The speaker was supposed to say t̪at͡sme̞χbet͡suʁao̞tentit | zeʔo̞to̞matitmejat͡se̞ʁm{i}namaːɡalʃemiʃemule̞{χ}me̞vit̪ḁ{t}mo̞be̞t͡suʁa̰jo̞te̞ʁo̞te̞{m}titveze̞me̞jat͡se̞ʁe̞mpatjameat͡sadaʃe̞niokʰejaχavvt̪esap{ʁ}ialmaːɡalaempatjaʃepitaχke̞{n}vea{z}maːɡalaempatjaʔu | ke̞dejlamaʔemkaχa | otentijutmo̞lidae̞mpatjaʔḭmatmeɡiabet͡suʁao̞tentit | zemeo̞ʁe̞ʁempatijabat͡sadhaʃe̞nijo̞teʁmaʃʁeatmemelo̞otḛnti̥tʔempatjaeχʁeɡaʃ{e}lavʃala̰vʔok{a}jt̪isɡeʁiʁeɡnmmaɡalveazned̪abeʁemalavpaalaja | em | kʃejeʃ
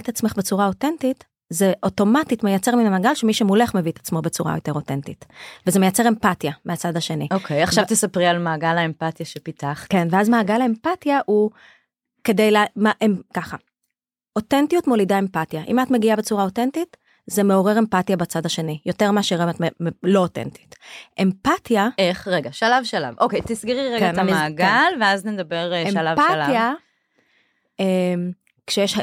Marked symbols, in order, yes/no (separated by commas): yes, yes, no, no, yes, yes, yes, no, no